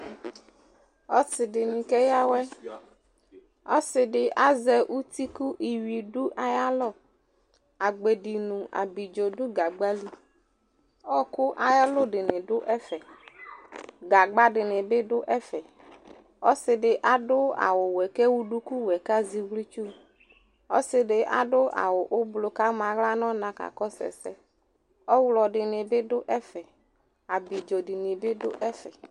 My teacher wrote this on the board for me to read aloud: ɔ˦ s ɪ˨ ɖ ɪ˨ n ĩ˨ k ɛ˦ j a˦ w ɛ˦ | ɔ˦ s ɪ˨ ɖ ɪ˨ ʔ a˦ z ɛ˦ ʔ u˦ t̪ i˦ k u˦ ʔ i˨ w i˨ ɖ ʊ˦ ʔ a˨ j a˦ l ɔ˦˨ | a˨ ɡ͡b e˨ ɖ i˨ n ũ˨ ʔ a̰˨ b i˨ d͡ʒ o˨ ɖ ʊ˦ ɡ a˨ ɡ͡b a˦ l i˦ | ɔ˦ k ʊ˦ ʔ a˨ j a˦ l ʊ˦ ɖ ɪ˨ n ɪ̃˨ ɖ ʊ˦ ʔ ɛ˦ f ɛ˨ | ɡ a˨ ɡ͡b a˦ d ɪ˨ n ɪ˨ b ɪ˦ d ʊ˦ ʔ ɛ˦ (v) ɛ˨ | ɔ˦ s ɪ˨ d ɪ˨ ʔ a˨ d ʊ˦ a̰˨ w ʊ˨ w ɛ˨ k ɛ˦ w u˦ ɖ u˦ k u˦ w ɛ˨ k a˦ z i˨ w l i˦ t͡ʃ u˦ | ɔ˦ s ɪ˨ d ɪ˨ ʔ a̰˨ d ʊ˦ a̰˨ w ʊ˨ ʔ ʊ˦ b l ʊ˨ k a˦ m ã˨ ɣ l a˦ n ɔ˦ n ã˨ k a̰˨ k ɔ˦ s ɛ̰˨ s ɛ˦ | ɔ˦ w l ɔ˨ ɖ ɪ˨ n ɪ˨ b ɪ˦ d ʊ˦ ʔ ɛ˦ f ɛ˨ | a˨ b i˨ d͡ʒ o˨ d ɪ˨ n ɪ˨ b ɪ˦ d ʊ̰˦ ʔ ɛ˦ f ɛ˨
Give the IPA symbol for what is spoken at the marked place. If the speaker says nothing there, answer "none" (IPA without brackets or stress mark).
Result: f